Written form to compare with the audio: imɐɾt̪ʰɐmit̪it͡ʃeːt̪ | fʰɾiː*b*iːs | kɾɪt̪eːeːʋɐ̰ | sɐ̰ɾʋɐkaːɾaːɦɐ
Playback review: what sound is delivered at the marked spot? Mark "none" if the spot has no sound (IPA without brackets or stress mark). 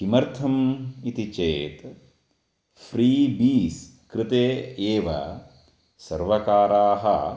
b